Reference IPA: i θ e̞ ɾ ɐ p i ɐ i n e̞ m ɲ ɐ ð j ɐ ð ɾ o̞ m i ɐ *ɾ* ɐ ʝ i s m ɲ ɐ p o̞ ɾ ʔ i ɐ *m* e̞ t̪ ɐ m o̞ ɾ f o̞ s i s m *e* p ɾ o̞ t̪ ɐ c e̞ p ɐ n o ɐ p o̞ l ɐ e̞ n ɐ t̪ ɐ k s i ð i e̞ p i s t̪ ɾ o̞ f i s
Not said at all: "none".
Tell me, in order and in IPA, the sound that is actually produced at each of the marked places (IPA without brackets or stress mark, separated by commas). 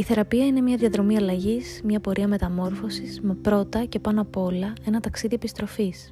l, m, e